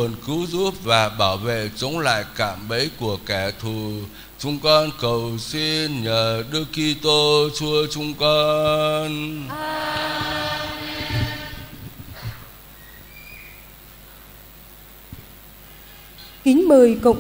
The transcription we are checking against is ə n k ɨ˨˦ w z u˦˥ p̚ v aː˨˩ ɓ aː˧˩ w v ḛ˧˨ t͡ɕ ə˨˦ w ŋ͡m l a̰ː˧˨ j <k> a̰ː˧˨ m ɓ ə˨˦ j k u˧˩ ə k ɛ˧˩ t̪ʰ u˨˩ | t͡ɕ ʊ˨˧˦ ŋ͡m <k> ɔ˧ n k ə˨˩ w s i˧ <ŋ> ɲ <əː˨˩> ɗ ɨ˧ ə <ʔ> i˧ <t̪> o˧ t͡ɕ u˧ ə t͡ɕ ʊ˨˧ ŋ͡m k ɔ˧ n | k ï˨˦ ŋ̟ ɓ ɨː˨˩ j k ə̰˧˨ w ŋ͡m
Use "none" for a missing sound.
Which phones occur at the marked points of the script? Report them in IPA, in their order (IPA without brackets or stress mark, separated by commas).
k, k, n, əː˨˩, k, t̪